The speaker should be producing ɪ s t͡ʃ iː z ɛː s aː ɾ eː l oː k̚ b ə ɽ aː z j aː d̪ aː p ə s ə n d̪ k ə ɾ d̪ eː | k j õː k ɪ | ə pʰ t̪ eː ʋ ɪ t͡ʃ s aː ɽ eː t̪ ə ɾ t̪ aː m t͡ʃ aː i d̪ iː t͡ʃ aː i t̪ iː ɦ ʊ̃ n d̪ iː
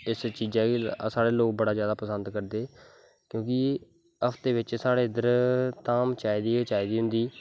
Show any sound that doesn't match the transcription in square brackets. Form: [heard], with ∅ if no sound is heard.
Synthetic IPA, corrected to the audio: ɪ s t͡ʃ iː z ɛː s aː [ɽ] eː l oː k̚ b ə ɽ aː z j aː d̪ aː p ə s ə n d̪ k ə ɾ d̪ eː | k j õː k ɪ | ə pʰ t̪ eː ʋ ɪ t͡ʃ s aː ɽ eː [d̪] ə ɾ t̪ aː m t͡ʃ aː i d̪ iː t͡ʃ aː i [d̪] iː ɦ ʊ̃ n d̪ iː